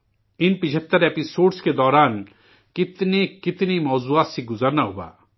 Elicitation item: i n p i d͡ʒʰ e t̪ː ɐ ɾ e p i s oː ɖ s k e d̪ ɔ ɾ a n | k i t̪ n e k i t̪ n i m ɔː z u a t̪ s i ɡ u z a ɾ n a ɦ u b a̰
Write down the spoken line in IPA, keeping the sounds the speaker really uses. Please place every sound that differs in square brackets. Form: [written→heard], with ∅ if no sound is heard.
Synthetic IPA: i n p i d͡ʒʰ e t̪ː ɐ ɾ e p i s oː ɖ s k e d̪ ɔ ɾ a n | k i t̪ n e k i t̪ n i m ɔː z u a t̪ s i ɡ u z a ɾ n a ɦ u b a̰